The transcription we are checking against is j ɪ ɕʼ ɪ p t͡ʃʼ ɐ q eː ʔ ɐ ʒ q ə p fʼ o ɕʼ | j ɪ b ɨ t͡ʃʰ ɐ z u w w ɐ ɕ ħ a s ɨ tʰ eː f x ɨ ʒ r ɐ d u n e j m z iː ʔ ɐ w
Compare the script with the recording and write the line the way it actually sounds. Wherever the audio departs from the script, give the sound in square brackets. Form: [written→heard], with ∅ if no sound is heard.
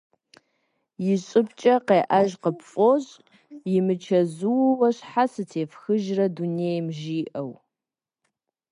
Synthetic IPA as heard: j ɪ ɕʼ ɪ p t͡ʃʼ ɐ q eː ʔ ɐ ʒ q ə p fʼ o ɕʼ | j ɪ [b→m] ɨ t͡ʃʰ ɐ z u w w ɐ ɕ ħ a s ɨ tʰ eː f x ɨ ʒ r ɐ d u n e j m [z→ʒ] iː ʔ ɐ w